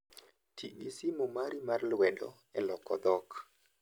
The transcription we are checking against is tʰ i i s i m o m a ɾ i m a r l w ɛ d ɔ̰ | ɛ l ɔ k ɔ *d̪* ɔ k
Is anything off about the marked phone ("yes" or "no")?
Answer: no